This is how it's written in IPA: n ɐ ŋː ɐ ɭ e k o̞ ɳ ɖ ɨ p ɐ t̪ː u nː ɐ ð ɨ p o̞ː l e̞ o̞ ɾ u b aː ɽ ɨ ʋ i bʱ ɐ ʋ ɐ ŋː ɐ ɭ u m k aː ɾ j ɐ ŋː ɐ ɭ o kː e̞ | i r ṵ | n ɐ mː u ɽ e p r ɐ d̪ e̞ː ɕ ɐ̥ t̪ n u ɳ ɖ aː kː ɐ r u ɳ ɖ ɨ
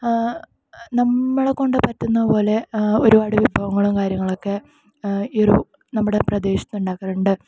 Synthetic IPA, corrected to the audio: n ɐ mː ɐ ɭ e k o̞ ɳ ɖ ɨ p ɐ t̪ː u nː ɐ ð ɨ p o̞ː l e̞ o̞ ɾ u b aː ɽ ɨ ʋ i bʱ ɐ ʋ ɐ ŋː ɐ ɭ u m k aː ɾ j ɐ ŋː ɐ ɭ o kː e̞ | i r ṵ | n ɐ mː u ɽ e p r ɐ d̪ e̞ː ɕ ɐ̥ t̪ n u ɳ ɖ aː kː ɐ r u ɳ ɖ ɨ

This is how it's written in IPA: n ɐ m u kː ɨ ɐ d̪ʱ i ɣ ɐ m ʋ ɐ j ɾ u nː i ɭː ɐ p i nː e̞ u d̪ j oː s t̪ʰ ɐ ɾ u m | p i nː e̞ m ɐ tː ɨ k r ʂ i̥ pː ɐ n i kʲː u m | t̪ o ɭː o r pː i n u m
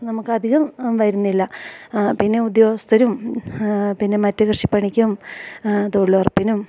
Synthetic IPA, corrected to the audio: n ɐ m u kː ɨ ɐ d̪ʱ i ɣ ɐ m ʋ ɐ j ɾ u nː i lː ɐ p i nː e̞ u d̪ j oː s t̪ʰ ɐ ɾ u m | p i nː e̞ m ɐ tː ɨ k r ʂ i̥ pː ɐ ɳ i kʲː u m | t̪ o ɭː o r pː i n u m

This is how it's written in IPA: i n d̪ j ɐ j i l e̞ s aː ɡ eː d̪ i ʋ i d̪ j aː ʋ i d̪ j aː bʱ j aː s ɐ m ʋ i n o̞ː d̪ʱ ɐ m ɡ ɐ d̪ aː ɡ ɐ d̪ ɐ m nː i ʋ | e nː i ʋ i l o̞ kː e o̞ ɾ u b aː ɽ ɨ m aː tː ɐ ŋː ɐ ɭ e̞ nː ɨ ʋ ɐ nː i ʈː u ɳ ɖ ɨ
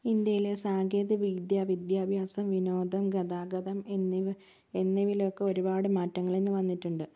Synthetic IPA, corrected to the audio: i n d̪ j ɐ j i l e̞ s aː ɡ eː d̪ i ʋ i d̪ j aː ʋ i d̪ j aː bʱ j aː s ɐ m ʋ i n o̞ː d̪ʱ ɐ m ɡ ɐ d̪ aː ɡ ɐ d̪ ɐ m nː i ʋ | e nː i ʋ i l o̞ kː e o̞ ɾ u b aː ɽ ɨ m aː tː ɐ ŋː ɐ ɭ e̞ nː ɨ ʋ ɐ nː i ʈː u ɳ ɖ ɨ

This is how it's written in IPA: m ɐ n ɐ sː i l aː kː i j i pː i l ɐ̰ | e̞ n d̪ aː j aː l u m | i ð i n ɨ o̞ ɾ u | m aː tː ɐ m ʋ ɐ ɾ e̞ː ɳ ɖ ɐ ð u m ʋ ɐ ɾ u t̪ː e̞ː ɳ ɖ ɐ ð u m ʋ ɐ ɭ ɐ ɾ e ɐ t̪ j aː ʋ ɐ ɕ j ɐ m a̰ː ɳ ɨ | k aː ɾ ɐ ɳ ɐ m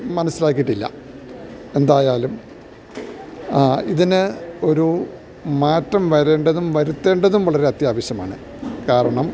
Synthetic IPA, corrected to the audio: m ɐ n ɐ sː i l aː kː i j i ʈː i lː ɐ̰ | e̞ n d̪ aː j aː l u m | i ð i n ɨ o̞ ɾ u | m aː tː ɐ m ʋ ɐ ɾ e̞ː ɳ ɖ ɐ ð u m ʋ ɐ ɾ u t̪ː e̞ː ɳ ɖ ɐ ð u m ʋ ɐ ɭ ɐ ɾ e ɐ t̪ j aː ʋ ɐ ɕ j ɐ m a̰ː ɳ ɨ | k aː ɾ ɐ ɳ ɐ m

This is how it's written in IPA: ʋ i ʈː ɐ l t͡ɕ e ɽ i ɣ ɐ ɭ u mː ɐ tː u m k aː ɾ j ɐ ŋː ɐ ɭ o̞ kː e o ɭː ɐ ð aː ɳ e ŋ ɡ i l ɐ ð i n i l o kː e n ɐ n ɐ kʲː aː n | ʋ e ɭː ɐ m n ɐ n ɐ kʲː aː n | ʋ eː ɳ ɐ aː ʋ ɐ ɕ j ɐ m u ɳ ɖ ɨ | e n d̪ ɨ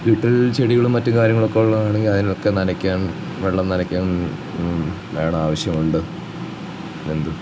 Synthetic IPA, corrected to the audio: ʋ i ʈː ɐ l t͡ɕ e ɽ i ɣ ɐ ɭ u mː ɐ tː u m k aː ɾ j ɐ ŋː ɐ ɭ o̞ kː e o ɭː ɐ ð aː ɳ e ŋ ɡ i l ɐ ð i n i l o kː e n ɐ n ɐ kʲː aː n | ʋ e ɭː ɐ m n ɐ n ɐ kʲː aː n | ʋ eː ɳ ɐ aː ʋ ɐ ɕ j ɐ m u ɳ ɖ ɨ | e n d̪ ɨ

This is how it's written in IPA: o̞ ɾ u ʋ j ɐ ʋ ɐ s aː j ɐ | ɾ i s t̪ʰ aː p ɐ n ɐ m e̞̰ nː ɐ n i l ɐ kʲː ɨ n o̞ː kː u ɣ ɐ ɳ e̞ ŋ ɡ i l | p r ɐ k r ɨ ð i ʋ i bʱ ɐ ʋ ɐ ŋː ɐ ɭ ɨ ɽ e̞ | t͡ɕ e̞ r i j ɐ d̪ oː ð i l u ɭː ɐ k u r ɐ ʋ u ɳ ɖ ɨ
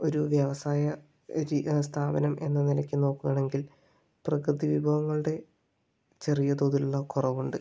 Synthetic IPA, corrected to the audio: o̞ ɾ u ʋ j ɐ ʋ ɐ s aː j ɐ | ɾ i s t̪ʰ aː b ɐ n ɐ m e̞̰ nː ɐ n i l ɐ kʲː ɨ n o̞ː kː u ɣ ɐ ɳ e̞ ŋ ɡ i l | p r ɐ k r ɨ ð i ʋ i bʱ ɐ ʋ ɐ ŋː ɐ ɭ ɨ ɽ e̞ | t͡ɕ e̞ r i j ɐ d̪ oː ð i l u ɭː ɐ k u r ɐ ʋ u ɳ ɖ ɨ

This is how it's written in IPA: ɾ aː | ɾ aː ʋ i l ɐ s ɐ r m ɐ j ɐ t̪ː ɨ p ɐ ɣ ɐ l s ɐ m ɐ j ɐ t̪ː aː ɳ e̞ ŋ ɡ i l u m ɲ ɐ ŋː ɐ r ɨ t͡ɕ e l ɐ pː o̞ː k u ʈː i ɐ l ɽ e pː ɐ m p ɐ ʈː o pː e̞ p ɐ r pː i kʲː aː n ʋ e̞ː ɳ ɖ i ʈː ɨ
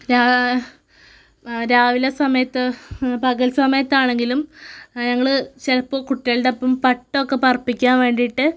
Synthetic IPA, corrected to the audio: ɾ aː | ɾ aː ʋ i l ɐ s ɐ m ɐ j ɐ t̪ː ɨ p ɐ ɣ ɐ l s ɐ m ɐ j ɐ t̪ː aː ɳ e̞ ŋ ɡ i l u m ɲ ɐ ŋː ɐ ɭ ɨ t͡ɕ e l ɐ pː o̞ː k u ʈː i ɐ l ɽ e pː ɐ m p ɐ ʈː o kː e̞ p ɐ r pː i kʲː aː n ʋ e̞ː ɳ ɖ i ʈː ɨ

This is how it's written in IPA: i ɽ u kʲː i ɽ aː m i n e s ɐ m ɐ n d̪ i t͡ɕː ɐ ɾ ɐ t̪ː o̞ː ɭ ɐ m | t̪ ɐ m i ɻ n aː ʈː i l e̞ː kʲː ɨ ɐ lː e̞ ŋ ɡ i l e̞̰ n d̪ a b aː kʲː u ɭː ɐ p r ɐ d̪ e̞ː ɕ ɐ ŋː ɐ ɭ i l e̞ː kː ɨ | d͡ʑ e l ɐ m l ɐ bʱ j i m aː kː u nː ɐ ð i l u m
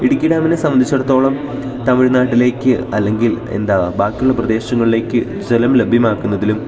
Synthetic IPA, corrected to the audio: i ɽ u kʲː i ɽ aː m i n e s ɐ m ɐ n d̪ i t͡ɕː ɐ ɽ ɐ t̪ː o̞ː ɭ ɐ m | t̪ ɐ m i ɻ n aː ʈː i l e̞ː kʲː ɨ ɐ lː e̞ ŋ ɡ i l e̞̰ n d̪ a b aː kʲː u ɭː ɐ p r ɐ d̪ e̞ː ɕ ɐ ŋː ɐ ɭ i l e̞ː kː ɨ | d͡ʑ e l ɐ m l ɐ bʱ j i m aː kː u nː ɐ ð i l u m

